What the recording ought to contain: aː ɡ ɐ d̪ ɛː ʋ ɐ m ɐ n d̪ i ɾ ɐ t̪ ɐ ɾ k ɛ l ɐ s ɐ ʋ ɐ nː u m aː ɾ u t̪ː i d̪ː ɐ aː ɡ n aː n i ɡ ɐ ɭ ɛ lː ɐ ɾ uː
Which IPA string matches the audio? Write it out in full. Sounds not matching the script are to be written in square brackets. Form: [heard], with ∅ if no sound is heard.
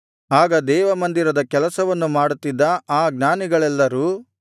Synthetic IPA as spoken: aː ɡ ɐ d̪ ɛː ʋ ɐ m ɐ n d̪ i ɾ ɐ [d̪] ɐ [∅] k ɛ l ɐ s ɐ ʋ ɐ nː u m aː [ɽ] u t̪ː i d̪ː ɐ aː ɡ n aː n i ɡ ɐ ɭ ɛ lː ɐ ɾ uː